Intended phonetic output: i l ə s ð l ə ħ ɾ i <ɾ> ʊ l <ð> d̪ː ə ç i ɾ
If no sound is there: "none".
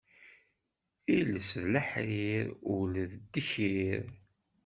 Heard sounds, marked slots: ɾ, ð

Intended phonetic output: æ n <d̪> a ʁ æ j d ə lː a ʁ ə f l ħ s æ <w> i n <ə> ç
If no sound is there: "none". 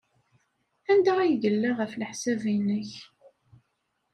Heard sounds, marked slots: d̪, v, ə

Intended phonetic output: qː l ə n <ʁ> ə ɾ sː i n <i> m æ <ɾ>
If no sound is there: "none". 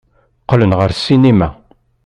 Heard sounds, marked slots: ʁ, i, none

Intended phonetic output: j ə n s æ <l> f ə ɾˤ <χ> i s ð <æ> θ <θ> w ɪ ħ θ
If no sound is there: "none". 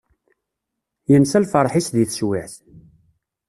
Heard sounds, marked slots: l, ħ, i, s

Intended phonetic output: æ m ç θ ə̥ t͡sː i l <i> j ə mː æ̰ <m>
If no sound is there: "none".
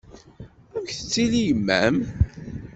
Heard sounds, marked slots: i, m

